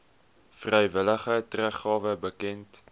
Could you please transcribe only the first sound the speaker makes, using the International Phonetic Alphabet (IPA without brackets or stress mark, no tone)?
f